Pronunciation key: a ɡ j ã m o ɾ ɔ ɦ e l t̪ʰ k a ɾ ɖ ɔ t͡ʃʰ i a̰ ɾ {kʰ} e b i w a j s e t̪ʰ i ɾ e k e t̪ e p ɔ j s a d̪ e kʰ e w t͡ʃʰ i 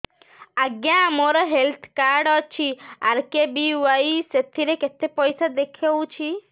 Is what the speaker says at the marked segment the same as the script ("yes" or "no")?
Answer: no